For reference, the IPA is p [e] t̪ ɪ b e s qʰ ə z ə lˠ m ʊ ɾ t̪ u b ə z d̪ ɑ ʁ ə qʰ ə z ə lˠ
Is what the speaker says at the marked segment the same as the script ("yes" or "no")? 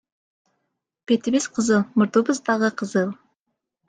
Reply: yes